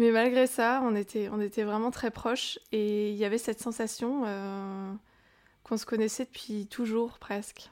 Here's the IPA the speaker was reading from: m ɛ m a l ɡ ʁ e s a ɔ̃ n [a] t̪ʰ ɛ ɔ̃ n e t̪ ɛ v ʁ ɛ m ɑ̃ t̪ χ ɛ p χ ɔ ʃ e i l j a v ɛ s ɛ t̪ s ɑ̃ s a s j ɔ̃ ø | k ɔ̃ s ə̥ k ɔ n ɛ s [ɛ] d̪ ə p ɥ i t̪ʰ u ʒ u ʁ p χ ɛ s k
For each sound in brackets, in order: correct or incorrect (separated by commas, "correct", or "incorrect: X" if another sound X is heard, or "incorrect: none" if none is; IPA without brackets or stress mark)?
incorrect: e, correct